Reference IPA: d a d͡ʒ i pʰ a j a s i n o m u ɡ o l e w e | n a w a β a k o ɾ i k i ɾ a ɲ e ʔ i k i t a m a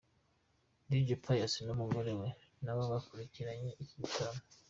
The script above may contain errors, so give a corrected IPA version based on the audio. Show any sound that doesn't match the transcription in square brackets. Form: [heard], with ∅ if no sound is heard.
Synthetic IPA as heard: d [i] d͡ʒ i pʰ a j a s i n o m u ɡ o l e w e | n a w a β a k [u] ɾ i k i ɾ a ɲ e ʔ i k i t a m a